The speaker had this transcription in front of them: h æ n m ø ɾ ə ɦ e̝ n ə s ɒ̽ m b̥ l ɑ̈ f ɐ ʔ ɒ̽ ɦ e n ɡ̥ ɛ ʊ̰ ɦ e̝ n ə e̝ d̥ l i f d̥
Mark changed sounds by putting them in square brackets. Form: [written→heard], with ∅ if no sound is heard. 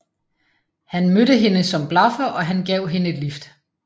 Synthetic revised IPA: h æ n m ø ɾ ə ɦ e̝ n ə s ɒ̽ m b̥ l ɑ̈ f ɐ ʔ ɒ̽ ɦ [e→æ] n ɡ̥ ɛ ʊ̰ ɦ e̝ n ə e̝ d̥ l i f d̥